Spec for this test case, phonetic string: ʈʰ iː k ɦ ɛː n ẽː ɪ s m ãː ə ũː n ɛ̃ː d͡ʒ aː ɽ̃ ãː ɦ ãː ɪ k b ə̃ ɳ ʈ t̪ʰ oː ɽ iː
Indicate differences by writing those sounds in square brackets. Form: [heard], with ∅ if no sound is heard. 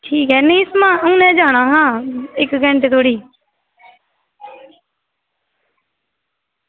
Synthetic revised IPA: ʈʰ iː k ɦ ɛː n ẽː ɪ s m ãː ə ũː n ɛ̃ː d͡ʒ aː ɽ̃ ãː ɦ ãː ɪ k [ɡ] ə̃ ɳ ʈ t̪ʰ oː ɽ iː